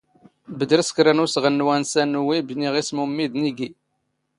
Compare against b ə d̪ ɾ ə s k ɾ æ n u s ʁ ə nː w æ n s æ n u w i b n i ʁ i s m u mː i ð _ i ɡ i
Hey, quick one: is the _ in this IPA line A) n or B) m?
A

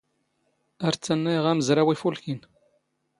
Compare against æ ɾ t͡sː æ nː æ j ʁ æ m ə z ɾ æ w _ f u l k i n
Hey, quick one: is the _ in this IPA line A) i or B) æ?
A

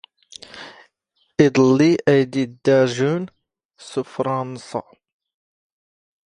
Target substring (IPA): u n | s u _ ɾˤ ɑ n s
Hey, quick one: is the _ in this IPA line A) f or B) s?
A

